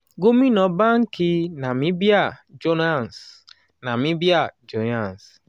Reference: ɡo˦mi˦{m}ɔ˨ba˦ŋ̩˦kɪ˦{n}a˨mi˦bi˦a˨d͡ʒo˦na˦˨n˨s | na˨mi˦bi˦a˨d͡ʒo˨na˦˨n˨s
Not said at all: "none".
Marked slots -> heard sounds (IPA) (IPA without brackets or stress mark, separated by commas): n, n